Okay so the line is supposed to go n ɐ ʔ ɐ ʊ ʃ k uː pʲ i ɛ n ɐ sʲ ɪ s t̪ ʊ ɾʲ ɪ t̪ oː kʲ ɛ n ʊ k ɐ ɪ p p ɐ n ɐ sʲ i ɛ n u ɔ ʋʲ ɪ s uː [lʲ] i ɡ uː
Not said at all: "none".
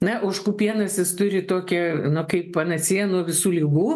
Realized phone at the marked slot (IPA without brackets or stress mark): lʲ